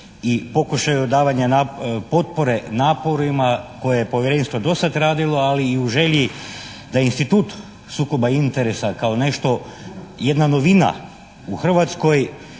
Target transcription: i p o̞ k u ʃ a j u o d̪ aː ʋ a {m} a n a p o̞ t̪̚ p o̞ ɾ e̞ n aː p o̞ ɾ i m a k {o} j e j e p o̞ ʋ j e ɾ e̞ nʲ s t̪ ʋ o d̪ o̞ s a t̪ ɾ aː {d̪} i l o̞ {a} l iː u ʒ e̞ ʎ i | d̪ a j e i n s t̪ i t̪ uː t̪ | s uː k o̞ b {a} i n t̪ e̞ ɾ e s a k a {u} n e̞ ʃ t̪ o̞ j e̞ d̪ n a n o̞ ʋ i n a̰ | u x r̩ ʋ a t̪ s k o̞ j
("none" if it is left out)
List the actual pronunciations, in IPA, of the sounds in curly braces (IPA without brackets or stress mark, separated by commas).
ɲ, o, d̪, a, a, o